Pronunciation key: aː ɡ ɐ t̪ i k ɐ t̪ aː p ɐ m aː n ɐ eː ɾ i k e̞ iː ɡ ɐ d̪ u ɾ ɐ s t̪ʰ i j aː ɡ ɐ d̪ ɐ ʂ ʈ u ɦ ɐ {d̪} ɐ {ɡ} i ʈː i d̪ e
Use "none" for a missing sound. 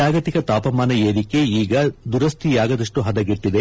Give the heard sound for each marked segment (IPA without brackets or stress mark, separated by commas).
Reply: d̪, ɡ